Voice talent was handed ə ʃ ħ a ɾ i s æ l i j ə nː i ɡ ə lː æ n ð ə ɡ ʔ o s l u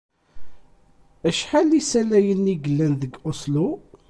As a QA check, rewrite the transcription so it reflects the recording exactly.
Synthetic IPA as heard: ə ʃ ħ a l i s æ l æ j ə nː i ɡ ə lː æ n ð ə ɡ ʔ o s l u